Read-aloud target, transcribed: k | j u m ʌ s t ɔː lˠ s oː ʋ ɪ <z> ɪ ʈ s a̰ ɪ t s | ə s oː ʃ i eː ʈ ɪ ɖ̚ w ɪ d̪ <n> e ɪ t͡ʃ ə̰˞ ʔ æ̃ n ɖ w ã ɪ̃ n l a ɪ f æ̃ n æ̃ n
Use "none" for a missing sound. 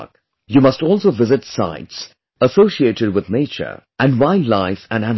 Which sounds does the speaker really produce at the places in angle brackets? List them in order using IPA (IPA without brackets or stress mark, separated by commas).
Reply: z, n